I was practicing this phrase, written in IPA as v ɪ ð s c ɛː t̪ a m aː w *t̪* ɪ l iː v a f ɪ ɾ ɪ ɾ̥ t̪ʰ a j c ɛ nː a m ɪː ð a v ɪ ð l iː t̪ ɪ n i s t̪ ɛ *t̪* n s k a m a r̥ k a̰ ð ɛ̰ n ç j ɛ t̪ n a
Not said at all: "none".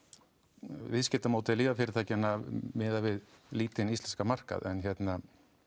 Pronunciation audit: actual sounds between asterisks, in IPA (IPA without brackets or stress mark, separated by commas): t̪, none